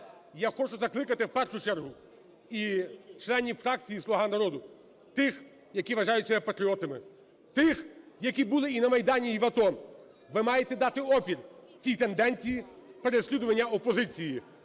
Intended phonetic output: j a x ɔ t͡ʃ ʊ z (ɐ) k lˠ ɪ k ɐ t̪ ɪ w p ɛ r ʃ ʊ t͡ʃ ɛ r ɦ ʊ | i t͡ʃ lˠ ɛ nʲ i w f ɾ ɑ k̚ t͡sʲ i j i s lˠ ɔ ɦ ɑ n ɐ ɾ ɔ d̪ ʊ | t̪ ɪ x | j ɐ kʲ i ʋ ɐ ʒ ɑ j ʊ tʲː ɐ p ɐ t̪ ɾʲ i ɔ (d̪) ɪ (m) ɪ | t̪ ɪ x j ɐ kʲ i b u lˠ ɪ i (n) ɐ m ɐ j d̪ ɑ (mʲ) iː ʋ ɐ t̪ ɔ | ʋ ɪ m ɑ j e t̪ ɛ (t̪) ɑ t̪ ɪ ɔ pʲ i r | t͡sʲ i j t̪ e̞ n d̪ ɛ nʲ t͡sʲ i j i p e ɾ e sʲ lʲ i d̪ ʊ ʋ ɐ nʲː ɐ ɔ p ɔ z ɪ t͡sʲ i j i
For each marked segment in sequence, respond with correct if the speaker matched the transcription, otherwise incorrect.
correct, incorrect: t̪, correct, correct, incorrect: nʲ, incorrect: d̪

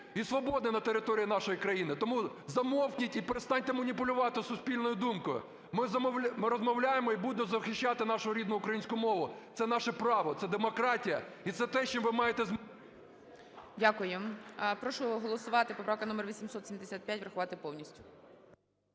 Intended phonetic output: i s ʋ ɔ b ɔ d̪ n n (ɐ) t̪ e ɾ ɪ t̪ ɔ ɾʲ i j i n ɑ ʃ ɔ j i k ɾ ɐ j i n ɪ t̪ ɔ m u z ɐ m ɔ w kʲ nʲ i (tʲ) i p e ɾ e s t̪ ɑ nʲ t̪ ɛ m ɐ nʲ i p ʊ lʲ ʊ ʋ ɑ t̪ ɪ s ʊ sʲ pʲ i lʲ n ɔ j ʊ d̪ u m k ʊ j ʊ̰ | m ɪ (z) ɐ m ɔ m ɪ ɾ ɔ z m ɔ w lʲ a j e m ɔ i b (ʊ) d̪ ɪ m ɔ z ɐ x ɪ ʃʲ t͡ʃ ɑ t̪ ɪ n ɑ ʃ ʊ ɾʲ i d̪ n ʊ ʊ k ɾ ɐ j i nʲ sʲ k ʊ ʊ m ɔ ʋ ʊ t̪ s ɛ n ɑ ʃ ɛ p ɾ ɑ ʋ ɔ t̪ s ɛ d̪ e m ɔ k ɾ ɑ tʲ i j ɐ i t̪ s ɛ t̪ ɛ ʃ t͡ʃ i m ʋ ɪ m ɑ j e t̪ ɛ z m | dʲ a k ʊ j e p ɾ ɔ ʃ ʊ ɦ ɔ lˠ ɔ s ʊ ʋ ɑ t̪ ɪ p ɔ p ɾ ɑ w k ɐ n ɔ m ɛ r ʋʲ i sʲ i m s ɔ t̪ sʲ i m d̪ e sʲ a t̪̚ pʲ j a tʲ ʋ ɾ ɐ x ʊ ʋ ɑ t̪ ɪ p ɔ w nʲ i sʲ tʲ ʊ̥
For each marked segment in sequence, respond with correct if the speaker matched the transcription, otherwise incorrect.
correct, correct, correct, incorrect: u

